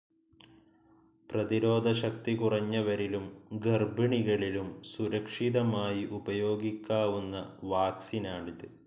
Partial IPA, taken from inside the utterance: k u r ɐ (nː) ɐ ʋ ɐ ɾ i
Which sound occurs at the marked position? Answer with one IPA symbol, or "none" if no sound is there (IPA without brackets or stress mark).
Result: ɲː